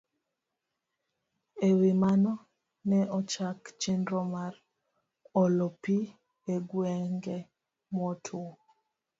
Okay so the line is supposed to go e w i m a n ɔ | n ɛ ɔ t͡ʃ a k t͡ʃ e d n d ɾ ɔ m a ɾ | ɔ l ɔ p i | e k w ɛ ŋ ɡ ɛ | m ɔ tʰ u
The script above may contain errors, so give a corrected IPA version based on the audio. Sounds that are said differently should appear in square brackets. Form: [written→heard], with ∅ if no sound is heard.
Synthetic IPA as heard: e w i m a n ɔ | n ɛ ɔ t͡ʃ a k t͡ʃ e [d→∅] n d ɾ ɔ m a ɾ | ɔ l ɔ p i | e [k→ɡ] w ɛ ŋ ɡ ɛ | m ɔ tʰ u